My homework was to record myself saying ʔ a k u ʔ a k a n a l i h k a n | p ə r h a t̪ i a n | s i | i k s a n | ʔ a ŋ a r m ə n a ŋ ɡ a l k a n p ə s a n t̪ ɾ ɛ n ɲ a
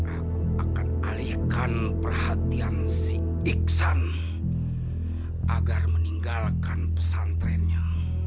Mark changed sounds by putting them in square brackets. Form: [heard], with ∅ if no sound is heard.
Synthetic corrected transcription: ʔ a k u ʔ a k a n a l i h k a n | p ə r h a t̪ i a n | s i | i k s a n | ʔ a [ɡ] a r m ə n [i] ŋ ɡ a l k a n p ə s a n t̪ ɾ ɛ n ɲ a